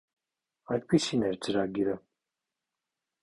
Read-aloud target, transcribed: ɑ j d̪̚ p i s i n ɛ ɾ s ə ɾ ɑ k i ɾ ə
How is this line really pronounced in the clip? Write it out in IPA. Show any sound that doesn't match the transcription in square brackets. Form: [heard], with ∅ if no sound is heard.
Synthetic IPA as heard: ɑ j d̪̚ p i s i n ɛ ɾ [t͡s] ə ɾ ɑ [ɡ] i ɾ ə